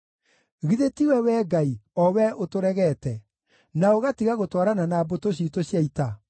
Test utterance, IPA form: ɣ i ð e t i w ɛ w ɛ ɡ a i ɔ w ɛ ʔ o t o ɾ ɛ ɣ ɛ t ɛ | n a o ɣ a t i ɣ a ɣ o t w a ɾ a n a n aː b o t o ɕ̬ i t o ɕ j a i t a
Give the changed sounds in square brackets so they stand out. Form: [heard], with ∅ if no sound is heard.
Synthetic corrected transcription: ɣ i ð e t i w ɛ w ɛ ɡ a i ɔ w ɛ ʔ o t o ɾ ɛ ɣ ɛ t ɛ | n a o ɣ a t i ɣ a ɣ o t w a ɾ a n a n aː b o t o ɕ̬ i t o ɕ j a i t a